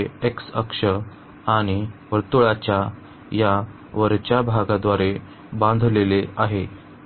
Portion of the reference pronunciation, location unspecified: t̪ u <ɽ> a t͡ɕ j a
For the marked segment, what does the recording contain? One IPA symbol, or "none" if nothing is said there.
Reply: ɭ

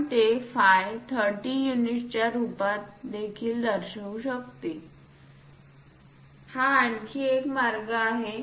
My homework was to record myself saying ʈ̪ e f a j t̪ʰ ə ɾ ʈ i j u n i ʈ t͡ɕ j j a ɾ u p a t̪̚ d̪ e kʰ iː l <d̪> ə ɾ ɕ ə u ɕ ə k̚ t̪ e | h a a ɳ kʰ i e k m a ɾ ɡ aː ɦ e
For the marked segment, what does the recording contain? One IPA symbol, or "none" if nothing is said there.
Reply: d̪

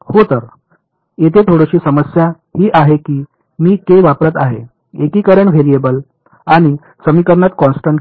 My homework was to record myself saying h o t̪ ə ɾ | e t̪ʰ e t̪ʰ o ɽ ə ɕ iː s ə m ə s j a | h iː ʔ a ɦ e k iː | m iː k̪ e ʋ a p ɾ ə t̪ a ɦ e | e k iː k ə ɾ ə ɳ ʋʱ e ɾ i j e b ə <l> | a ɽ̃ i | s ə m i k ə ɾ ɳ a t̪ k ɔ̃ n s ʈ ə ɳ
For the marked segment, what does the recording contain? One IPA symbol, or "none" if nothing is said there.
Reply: l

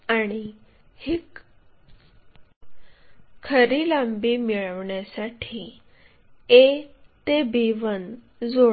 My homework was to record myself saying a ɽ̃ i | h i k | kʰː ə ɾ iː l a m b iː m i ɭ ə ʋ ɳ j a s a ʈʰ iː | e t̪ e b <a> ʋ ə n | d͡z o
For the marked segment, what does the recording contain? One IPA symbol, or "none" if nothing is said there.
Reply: i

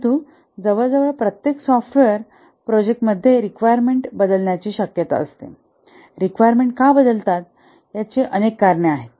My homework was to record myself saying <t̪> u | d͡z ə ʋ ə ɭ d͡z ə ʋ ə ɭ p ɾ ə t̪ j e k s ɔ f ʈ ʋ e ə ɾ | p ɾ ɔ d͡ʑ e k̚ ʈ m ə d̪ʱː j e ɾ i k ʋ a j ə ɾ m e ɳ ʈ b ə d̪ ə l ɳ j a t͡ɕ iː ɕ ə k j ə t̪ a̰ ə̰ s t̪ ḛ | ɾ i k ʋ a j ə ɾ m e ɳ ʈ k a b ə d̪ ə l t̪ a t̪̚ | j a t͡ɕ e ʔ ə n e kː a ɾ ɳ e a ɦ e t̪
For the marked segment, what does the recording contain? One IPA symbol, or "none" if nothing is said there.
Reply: t̪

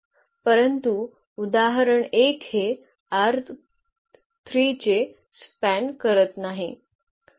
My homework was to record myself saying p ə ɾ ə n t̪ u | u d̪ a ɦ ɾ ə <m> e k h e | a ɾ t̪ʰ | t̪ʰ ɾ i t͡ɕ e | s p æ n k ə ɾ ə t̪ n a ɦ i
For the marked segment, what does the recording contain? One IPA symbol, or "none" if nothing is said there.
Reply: ɳ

